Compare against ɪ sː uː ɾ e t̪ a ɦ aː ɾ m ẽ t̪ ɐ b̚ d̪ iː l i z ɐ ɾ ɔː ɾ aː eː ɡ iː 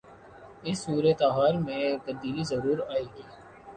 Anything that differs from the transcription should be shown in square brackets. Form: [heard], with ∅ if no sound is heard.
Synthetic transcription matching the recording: ɪ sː uː ɾ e t̪ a ɦ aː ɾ m ẽ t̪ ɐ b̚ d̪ iː l i z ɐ ɾ [uː] ɾ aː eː ɡ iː